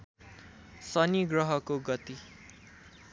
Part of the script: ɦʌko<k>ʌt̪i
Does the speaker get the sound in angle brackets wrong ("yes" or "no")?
yes